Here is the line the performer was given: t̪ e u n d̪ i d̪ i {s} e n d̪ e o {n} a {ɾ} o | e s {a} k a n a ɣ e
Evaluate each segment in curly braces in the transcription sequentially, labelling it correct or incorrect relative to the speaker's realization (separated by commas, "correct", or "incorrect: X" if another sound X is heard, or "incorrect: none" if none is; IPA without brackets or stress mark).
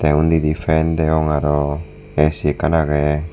incorrect: f, incorrect: ŋ, correct, incorrect: i